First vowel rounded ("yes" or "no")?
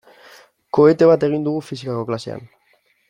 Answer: yes